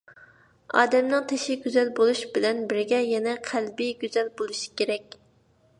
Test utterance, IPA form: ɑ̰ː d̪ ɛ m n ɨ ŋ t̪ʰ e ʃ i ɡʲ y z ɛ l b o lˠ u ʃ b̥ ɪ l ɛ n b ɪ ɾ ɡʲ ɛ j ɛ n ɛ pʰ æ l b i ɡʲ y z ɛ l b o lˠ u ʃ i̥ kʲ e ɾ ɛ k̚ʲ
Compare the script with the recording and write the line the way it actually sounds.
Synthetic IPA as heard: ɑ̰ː d̪ ɛ m n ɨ ŋ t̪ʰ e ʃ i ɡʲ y z ɛ l b o lˠ u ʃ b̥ ɪ l ɛ n b ɪ ɾ ɡʲ ɛ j ɛ n ɛ qʰ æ l b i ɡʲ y z ɛ l b o lˠ u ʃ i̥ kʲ e ɾ ɛ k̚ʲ

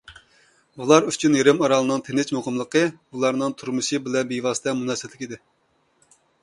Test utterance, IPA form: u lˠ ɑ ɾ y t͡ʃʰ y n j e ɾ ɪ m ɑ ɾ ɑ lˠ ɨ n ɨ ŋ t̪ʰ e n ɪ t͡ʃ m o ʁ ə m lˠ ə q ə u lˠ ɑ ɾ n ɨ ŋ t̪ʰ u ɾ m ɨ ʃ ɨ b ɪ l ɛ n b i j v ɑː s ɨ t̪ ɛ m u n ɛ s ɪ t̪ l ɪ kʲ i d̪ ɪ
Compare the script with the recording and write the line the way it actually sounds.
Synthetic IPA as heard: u lˠ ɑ ɾ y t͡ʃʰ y n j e ɾ ɪ m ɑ ɾ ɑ lˠ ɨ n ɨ ŋ t̪ʰ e n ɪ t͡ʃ m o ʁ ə m lˠ ə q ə u lˠ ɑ ɾ n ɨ ŋ t̪ʰ u ɾ m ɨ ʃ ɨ b ɪ l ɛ n b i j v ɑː s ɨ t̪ ɛ m u n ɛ s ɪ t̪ l ɪ kʲ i d̪ ɪ

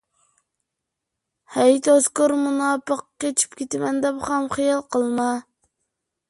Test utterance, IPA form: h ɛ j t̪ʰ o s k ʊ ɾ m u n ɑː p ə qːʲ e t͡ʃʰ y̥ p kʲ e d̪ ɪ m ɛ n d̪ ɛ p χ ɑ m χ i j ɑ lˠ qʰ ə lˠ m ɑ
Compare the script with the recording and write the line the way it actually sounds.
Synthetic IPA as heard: h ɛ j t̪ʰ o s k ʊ ɾ m u n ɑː p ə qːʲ e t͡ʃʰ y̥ p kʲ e t̪ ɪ m ɛ n d̪ ɛ p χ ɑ m χ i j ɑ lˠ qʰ ə lˠ m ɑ

